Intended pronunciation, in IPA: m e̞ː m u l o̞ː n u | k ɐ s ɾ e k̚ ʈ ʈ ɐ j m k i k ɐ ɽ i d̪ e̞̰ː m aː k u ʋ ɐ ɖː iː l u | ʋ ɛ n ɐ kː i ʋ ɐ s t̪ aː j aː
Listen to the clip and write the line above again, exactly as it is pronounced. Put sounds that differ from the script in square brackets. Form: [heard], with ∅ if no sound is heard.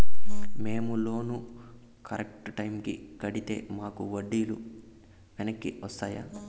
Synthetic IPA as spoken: m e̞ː m u l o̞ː n u | k ɐ [∅] ɾ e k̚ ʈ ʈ ɐ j m k i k ɐ ɽ i [t̪] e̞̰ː m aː k u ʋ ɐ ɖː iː l u | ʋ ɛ n ɐ kː i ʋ ɐ s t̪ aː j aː